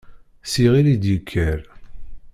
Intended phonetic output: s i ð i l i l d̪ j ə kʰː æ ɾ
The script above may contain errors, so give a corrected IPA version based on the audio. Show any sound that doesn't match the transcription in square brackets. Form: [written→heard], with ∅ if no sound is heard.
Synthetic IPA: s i [ð→ʁ] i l i [l→∅] d̪ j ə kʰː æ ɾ